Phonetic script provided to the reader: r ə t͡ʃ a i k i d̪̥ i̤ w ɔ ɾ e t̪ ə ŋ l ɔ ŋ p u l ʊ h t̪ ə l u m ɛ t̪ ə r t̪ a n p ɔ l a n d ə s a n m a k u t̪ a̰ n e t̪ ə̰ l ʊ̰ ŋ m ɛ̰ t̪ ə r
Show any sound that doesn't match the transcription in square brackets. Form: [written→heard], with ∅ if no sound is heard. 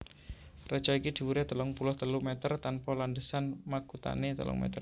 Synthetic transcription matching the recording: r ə t͡ʃ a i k i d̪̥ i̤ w [ɔ→u] ɾ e t̪ ə [ŋ→∅] l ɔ ŋ p u l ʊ h t̪ ə l u m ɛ t̪ ə r t̪ a n p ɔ l a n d ə s a n m a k u t̪ a̰ n e t̪ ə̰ l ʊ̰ ŋ m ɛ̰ t̪ ə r